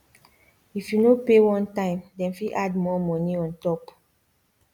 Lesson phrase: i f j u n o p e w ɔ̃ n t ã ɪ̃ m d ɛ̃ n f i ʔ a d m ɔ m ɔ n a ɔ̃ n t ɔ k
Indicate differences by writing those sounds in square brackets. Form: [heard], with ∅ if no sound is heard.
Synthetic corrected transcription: i f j u n o p e w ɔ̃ n t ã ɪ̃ m d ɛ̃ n f i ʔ a d m ɔ m ɔ n [i] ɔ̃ n t ɔ [p]